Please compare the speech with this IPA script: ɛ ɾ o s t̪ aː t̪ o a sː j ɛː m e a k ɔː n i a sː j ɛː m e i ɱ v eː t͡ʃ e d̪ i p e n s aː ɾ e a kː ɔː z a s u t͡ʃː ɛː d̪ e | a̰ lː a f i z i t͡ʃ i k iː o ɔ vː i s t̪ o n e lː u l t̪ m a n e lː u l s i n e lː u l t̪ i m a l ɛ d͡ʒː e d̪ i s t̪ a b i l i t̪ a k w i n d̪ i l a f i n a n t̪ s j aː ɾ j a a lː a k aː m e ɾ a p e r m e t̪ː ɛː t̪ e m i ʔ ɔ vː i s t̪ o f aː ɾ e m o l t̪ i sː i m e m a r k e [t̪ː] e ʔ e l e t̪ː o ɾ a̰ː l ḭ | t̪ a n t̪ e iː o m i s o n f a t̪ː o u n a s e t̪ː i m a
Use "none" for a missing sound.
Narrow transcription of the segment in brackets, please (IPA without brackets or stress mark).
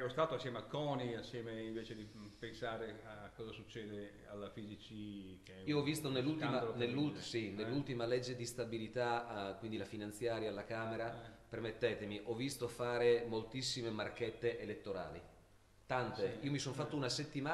t̪ː